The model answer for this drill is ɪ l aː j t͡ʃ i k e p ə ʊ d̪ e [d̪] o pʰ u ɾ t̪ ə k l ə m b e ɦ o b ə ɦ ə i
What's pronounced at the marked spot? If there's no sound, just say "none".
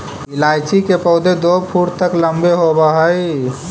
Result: d̪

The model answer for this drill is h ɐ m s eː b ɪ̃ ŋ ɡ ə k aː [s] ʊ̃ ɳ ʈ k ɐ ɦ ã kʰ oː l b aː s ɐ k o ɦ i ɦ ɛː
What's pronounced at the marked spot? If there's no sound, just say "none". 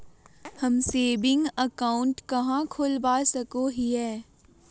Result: none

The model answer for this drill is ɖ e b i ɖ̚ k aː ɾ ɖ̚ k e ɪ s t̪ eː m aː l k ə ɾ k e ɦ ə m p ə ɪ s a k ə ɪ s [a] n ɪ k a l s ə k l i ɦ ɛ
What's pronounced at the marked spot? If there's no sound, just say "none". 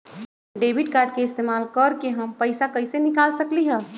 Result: e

